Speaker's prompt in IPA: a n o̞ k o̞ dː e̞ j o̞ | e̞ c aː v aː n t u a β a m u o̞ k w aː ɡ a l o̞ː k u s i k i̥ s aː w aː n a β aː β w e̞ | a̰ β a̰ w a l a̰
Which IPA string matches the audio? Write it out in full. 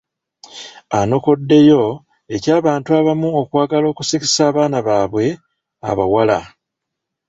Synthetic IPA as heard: a n o̞ k o̞ dː e̞ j o̞ | e̞ c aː β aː n t u a β a m u o̞ k w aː ɡ a l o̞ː k u s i k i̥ s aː β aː n a β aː β w e̞ | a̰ β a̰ w a l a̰